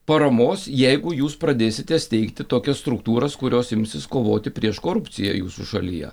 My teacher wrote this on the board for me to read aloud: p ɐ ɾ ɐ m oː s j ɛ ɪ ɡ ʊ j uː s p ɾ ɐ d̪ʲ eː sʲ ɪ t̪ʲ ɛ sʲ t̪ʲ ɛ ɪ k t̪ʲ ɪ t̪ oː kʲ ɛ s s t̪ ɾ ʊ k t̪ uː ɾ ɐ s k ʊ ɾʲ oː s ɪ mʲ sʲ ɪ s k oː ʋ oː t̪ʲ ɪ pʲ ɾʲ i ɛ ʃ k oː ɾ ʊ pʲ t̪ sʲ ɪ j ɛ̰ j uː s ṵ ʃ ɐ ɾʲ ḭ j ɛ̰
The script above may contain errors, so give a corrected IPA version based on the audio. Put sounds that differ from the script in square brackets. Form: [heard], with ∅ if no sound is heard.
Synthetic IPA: p ɐ ɾ ɐ m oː s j ɛ ɪ ɡ ʊ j uː s p ɾ ɐ d̪ʲ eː sʲ ɪ t̪ʲ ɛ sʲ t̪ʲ ɛ ɪ k t̪ʲ ɪ t̪ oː kʲ ɛ s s t̪ ɾ ʊ k t̪ uː ɾ ɐ s k ʊ ɾʲ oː s ɪ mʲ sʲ ɪ s k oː ʋ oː t̪ʲ ɪ pʲ ɾʲ i ɛ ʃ k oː ɾ ʊ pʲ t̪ sʲ ɪ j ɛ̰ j uː s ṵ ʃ ɐ [lʲ] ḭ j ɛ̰